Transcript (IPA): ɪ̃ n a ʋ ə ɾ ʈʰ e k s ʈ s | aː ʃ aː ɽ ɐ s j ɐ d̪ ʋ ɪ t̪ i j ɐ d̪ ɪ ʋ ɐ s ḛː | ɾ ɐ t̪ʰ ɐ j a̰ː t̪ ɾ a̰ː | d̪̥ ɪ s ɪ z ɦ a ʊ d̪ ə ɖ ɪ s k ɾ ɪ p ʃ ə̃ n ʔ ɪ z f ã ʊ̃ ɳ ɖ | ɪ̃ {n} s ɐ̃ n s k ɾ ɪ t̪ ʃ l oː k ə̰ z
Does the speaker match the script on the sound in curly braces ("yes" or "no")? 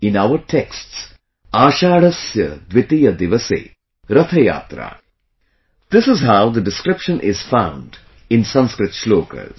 yes